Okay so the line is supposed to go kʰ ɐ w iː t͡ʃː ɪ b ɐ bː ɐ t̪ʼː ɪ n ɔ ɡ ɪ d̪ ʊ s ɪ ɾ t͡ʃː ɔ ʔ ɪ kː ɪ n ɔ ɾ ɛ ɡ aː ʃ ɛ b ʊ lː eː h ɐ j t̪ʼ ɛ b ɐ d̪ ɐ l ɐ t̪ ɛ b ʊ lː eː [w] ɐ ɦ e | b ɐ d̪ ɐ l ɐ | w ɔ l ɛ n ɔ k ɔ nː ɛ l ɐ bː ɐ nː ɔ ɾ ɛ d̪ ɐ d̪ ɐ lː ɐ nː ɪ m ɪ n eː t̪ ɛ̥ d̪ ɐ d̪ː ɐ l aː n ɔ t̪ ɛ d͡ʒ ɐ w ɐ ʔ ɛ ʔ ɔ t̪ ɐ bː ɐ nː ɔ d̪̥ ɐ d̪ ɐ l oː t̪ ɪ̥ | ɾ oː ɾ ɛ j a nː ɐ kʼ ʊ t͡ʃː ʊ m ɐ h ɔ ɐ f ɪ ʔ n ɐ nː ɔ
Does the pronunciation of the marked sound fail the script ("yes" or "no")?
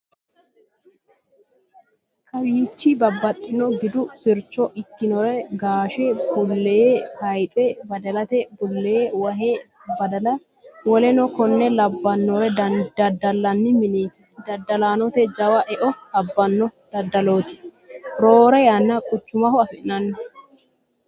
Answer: no